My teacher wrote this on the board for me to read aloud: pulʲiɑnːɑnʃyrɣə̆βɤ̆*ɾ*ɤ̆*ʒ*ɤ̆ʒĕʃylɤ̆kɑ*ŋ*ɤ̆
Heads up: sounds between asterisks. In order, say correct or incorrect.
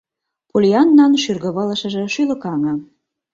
incorrect: l, incorrect: ʃ, correct

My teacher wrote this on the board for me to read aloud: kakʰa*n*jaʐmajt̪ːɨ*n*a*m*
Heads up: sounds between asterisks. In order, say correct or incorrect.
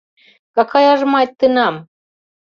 incorrect: none, correct, correct

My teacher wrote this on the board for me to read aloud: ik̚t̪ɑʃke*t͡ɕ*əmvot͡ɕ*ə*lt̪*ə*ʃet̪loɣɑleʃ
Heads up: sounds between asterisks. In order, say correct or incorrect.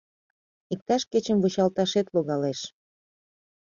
correct, incorrect: ɑ, incorrect: ɑ

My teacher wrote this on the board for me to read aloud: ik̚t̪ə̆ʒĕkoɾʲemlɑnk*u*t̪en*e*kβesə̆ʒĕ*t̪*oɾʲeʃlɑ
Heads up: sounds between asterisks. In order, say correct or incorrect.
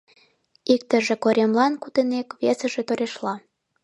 correct, correct, correct

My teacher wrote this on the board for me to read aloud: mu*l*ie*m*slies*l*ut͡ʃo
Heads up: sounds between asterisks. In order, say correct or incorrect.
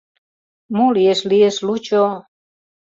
correct, incorrect: none, correct

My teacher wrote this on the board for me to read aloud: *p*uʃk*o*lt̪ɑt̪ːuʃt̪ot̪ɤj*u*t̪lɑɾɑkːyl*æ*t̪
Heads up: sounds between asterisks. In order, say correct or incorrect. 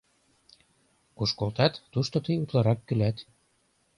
incorrect: k, correct, correct, correct

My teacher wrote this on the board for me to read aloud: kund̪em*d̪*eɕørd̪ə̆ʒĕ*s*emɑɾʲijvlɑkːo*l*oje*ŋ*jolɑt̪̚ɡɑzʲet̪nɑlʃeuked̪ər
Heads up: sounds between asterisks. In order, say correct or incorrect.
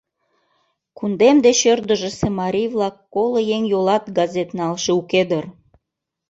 correct, correct, correct, correct

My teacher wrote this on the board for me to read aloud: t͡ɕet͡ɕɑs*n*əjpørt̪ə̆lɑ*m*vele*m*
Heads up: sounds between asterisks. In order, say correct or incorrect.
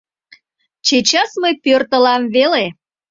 incorrect: m, correct, incorrect: none

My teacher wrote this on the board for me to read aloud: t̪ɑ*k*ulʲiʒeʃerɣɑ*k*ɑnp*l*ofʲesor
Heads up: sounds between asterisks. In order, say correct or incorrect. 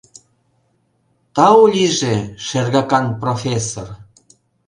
incorrect: none, correct, incorrect: r

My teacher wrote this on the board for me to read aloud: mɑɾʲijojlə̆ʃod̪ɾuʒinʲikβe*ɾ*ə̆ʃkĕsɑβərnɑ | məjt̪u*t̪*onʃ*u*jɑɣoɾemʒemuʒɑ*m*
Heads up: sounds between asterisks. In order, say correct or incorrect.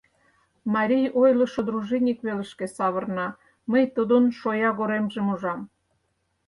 incorrect: l, incorrect: d̪, incorrect: o, correct

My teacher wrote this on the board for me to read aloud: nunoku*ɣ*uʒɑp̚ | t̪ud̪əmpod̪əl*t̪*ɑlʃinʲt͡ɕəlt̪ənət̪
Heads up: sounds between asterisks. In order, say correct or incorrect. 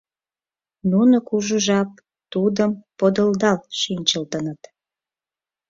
incorrect: ʒ, incorrect: d̪

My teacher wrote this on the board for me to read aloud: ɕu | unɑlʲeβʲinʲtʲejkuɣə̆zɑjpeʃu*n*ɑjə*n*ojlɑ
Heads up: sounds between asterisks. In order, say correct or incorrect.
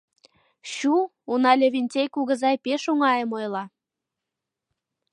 incorrect: ŋ, incorrect: m

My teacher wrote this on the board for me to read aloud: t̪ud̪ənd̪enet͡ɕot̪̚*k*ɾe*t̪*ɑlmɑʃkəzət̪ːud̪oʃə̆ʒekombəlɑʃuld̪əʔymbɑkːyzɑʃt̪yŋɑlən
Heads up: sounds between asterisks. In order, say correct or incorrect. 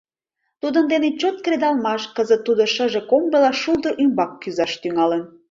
correct, incorrect: d̪

